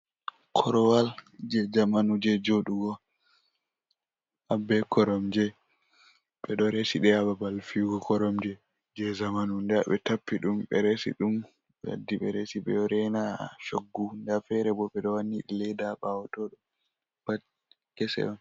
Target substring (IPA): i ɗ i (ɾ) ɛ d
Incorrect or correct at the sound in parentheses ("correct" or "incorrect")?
incorrect